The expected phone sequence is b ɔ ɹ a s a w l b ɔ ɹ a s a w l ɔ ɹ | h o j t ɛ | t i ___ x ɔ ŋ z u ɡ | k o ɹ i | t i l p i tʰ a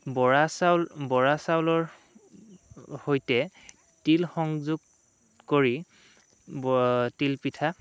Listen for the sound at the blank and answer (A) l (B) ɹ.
A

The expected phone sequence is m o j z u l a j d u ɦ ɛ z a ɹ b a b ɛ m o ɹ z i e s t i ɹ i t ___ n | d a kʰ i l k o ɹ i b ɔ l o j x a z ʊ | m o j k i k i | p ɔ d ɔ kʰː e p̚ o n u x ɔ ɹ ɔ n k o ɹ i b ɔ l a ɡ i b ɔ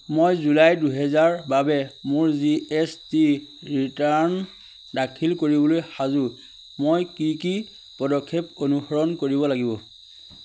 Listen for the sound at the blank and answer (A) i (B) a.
B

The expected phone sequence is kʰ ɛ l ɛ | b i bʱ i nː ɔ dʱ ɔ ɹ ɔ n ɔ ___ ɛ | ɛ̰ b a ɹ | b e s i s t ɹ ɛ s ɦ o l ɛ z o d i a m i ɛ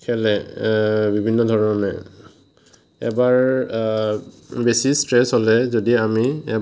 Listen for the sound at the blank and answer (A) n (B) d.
A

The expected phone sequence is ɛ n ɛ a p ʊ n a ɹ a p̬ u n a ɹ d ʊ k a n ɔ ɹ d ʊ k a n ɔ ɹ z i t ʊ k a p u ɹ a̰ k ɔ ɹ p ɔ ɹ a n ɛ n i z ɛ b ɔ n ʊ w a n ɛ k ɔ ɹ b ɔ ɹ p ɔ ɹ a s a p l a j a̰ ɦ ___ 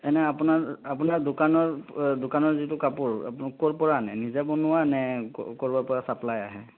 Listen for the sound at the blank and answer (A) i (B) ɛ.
B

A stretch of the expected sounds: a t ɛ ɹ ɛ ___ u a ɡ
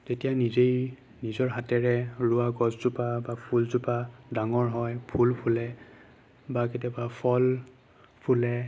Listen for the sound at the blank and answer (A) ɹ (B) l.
A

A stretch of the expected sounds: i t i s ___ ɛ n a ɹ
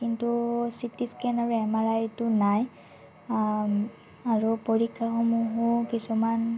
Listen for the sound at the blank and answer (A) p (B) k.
B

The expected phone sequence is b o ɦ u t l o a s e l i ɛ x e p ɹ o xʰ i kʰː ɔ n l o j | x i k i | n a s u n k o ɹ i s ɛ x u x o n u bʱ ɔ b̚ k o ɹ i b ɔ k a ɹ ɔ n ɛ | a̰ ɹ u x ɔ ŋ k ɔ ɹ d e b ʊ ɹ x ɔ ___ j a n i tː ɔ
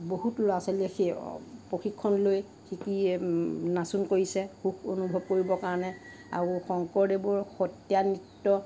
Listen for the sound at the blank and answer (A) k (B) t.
B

